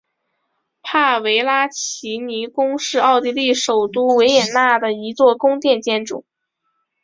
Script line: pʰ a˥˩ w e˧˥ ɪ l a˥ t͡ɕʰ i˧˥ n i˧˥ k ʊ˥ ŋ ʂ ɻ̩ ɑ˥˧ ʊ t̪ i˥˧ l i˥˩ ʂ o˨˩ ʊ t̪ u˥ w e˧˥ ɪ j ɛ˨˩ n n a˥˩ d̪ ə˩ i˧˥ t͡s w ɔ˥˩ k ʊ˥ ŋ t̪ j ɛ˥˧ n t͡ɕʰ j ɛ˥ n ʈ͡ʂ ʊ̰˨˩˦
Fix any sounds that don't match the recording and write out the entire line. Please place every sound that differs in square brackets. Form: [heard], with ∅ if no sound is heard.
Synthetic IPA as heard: pʰ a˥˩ w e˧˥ ɪ l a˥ t͡ɕʰ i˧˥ n i˧˥ k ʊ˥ ŋ ʂ ɻ̩ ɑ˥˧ ʊ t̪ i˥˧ l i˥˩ ʂ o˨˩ ʊ t̪ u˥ w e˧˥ ɪ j ɛ˨˩ n n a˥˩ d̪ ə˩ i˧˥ t͡s w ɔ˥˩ k ʊ˥ ŋ t̪ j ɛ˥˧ n [t͡ɕ] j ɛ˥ n ʈ͡ʂ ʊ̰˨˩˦